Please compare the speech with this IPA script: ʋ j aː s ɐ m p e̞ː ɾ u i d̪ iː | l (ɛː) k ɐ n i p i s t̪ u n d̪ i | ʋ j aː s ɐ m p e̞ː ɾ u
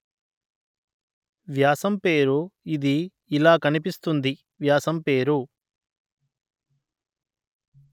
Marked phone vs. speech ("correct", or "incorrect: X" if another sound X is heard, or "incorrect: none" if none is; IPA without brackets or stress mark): incorrect: aː